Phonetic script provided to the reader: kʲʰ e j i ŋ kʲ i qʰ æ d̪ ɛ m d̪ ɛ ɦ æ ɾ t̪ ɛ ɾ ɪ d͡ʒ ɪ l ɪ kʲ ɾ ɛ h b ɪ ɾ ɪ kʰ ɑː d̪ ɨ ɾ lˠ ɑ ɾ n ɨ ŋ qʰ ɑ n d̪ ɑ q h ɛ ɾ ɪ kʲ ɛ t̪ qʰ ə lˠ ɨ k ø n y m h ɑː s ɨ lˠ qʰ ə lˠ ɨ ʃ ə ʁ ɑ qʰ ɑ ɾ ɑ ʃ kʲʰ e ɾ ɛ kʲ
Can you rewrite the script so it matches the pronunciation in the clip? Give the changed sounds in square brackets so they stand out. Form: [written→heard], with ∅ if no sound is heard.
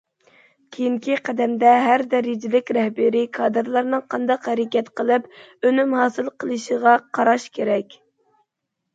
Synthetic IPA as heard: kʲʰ e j i ŋ kʲ i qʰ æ d̪ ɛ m d̪ ɛ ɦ æ ɾ [t̪→d̪] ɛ ɾ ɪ d͡ʒ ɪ l ɪ kʲ ɾ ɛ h b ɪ ɾ ɪ kʰ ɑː d̪ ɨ ɾ lˠ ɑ ɾ n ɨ ŋ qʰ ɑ n d̪ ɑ q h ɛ ɾ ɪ kʲ ɛ t̪ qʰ ə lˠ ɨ [k→p] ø n y m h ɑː s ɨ lˠ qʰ ə lˠ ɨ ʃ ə ʁ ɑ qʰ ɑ ɾ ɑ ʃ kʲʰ e ɾ ɛ kʲ

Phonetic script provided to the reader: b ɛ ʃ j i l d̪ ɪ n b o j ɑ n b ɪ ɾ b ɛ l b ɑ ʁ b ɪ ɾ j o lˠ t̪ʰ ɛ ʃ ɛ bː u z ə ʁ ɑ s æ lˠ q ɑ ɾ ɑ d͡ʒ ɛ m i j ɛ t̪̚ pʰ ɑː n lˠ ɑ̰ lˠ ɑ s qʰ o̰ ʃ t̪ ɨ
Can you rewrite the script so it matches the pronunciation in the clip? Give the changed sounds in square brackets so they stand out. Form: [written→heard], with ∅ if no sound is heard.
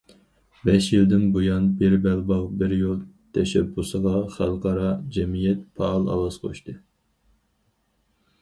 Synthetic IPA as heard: b ɛ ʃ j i l d̪ ɪ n b o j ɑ n b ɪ ɾ b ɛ l b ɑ ʁ b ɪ ɾ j o lˠ t̪ʰ ɛ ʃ ɛ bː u [z→s] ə ʁ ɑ [s→χ] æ lˠ q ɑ ɾ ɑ d͡ʒ ɛ m i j ɛ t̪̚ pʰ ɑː [n→∅] lˠ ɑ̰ lˠ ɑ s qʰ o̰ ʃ t̪ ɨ

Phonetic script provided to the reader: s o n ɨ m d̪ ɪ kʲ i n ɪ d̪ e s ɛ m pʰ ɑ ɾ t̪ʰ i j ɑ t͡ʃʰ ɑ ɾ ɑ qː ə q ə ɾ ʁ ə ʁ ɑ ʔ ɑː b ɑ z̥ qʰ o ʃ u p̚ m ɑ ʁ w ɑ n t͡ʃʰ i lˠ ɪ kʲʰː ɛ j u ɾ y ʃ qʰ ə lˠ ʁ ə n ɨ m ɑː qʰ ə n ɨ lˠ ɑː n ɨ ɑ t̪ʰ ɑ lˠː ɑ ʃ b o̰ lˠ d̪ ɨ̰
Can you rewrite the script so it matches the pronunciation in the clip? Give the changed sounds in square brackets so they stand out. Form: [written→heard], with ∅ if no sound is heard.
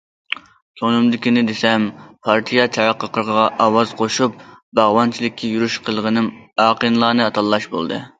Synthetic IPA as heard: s o n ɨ m d̪ ɪ kʲ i n ɪ d̪ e s ɛ m pʰ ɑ ɾ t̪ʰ i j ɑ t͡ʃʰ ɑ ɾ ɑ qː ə q ə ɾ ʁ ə ʁ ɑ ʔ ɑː [b→w] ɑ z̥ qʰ o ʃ u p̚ [m→b] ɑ ʁ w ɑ n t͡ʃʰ i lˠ ɪ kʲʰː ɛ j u ɾ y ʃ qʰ ə lˠ ʁ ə n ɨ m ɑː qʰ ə n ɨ lˠ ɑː n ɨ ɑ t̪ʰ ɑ lˠː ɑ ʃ b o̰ lˠ d̪ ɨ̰

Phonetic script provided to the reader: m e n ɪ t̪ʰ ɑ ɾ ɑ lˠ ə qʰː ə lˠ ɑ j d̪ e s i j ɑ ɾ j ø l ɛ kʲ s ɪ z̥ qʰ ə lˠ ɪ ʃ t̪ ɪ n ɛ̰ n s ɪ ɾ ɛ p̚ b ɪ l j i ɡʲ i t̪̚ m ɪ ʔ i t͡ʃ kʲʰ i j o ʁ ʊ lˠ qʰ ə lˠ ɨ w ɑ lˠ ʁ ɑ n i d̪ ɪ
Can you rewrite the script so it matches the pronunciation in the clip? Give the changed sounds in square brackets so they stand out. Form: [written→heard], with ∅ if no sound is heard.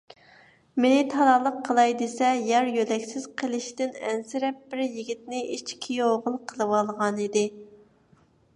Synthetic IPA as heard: m e n ɪ t̪ʰ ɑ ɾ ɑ lˠ ə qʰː ə lˠ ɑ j d̪ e s [i→ɛ] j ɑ ɾ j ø l ɛ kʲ s ɪ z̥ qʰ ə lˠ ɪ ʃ t̪ ɪ n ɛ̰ n s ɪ ɾ ɛ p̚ b ɪ [l→ɾ] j i ɡʲ i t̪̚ [m→n] ɪ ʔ i t͡ʃ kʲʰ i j o ʁ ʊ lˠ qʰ ə lˠ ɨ w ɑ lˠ ʁ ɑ n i d̪ ɪ

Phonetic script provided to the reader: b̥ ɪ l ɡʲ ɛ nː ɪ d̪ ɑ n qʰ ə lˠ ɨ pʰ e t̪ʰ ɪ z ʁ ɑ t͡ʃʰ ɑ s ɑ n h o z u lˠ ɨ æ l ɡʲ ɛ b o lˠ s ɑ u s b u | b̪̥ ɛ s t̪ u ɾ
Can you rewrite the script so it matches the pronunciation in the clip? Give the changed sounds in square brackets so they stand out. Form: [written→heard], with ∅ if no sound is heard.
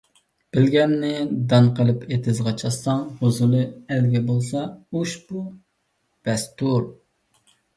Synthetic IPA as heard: b̥ ɪ l ɡʲ ɛ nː ɪ d̪ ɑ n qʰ ə lˠ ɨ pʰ e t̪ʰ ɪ z ʁ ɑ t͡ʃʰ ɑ s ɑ [n→ŋ] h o z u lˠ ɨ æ l ɡʲ ɛ b o lˠ s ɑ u [s→ʃ] b u | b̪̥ ɛ s t̪ u ɾ

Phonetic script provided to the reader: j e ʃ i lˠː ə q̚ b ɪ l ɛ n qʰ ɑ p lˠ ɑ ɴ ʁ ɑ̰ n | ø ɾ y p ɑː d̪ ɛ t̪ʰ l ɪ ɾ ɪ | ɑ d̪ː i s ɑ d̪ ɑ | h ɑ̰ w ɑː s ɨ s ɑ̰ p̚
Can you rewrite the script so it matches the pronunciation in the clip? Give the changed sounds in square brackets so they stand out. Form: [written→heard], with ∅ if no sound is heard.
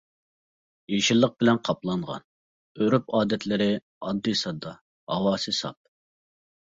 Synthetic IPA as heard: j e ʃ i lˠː ə q̚ b ɪ l ɛ n qʰ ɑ p lˠ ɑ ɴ ʁ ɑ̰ n | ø ɾ y p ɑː d̪ ɛ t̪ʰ l ɪ ɾ ɪ | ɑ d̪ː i s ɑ d̪ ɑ | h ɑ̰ w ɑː s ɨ s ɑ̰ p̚

